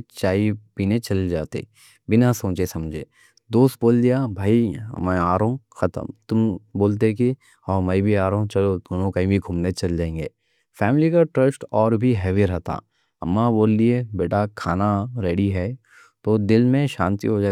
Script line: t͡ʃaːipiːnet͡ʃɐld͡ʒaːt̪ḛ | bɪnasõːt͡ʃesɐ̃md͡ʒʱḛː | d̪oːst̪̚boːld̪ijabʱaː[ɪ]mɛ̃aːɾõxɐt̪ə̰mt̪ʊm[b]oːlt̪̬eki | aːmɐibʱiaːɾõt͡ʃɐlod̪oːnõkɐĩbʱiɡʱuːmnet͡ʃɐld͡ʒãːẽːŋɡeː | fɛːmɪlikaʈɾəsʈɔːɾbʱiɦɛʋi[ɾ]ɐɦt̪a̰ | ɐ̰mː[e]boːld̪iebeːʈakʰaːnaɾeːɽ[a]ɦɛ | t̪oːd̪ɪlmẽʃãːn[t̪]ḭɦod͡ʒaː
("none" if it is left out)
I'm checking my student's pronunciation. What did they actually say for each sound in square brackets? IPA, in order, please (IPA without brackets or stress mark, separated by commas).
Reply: i, b, ɾ, a, i, t̪